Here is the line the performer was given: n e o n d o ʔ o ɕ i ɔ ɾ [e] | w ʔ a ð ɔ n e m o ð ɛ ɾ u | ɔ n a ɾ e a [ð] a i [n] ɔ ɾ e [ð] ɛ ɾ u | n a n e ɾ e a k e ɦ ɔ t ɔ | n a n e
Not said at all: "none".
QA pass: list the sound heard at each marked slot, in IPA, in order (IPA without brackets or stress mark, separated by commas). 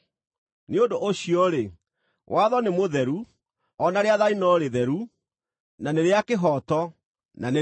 e, ð, n, ð